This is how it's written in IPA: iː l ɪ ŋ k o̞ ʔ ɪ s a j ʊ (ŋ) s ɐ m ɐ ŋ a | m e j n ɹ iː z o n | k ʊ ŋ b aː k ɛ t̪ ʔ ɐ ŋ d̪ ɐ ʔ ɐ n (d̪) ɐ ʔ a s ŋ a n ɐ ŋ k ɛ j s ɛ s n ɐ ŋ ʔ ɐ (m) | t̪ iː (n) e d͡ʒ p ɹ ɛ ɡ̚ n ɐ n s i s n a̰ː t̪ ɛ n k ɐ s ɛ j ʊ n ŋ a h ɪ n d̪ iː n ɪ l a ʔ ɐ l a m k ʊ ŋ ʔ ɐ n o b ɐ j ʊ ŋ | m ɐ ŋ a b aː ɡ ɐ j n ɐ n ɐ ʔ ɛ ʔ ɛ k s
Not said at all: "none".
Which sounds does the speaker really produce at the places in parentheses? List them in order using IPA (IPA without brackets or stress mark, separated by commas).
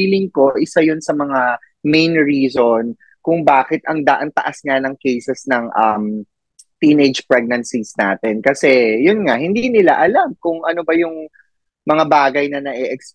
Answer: n, t̪, m, n